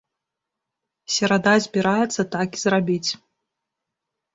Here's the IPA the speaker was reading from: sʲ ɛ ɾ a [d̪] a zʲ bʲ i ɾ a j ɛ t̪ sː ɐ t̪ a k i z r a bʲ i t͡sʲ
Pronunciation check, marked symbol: correct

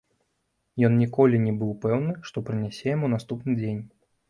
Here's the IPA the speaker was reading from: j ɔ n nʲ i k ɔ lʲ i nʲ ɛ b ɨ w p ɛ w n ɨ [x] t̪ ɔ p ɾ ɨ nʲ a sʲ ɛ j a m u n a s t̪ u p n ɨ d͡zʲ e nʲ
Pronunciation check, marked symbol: incorrect: ʂ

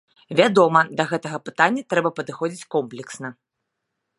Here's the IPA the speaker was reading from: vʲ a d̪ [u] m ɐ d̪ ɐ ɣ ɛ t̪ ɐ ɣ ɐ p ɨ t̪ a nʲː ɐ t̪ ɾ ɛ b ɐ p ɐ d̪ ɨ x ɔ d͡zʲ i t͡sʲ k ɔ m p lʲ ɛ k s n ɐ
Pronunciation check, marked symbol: incorrect: ɔ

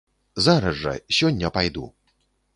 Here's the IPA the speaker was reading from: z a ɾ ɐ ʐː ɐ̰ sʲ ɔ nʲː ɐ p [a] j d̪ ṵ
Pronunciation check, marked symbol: correct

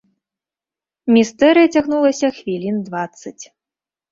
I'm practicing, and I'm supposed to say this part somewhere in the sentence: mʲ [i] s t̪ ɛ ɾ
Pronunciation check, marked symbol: correct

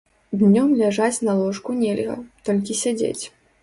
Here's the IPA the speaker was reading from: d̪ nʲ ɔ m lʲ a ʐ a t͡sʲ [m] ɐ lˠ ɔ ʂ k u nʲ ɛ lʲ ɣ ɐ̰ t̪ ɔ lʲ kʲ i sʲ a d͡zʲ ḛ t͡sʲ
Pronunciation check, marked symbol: incorrect: n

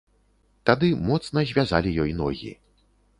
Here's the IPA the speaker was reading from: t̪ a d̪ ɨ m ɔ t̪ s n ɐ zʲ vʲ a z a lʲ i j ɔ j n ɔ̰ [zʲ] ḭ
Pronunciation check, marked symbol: incorrect: ɣʲ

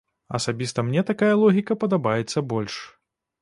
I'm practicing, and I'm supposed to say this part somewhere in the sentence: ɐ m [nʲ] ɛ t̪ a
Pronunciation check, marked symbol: correct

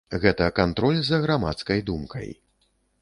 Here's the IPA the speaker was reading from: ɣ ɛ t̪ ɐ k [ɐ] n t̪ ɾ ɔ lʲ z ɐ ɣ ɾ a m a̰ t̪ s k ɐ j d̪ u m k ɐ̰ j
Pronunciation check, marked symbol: incorrect: a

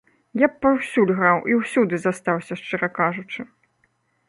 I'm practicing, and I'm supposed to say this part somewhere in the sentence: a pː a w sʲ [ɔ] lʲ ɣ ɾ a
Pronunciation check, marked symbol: incorrect: u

